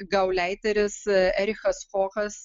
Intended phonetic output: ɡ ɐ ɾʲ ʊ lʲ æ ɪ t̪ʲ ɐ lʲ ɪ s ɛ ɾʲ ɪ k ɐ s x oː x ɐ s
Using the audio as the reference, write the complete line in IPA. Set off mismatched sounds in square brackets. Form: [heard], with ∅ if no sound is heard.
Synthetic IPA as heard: ɡ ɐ [∅] ʊ lʲ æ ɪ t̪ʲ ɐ [ɾʲ] ɪ s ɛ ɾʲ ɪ [x] ɐ s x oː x ɐ s